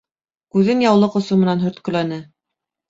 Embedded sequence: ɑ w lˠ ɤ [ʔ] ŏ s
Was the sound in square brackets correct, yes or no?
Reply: no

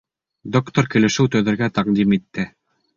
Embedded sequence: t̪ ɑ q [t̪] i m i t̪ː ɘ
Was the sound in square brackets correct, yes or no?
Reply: no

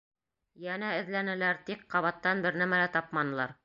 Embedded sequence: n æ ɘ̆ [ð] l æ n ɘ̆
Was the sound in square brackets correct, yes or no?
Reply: yes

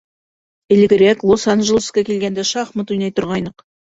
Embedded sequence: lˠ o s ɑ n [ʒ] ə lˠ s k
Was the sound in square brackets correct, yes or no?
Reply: yes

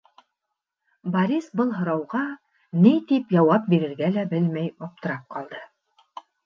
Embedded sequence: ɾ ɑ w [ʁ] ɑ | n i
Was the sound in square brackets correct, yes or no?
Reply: yes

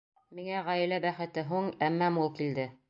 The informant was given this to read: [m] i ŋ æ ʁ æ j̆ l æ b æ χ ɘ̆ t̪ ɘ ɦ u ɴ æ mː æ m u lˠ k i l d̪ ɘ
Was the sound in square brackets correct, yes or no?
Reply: yes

